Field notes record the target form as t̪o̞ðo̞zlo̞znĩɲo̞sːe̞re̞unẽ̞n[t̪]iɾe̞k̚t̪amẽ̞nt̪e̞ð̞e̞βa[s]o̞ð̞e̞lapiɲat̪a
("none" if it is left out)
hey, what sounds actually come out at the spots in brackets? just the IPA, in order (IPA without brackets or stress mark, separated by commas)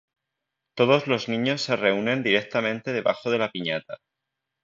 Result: d̪, x